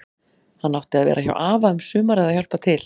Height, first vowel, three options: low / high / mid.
low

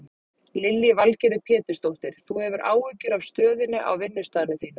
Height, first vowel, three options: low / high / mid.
high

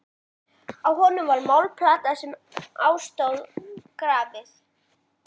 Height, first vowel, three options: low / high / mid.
low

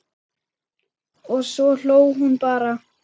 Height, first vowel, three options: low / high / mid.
mid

